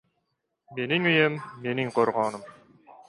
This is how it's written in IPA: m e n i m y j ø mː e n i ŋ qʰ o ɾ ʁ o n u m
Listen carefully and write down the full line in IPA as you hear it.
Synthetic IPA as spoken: m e n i ŋ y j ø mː e n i ŋ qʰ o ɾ ʁ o n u m